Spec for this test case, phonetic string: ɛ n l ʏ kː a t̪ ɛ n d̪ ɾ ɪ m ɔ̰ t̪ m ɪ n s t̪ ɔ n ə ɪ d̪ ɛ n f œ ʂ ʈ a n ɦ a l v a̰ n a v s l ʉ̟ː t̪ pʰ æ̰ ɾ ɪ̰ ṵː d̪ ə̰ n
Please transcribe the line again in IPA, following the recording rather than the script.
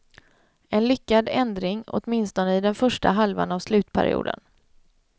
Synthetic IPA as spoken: ɛ n l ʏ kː a d̪ ɛ n d̪ ɾ ɪ ŋ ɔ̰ t̪ m ɪ n s t̪ ɔ n ə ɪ d̪ ɛ n f œ ʂ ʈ a ɦ a l v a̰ n a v s l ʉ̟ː t̪ pʰ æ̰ ɾ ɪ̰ ṵː d̪ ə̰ n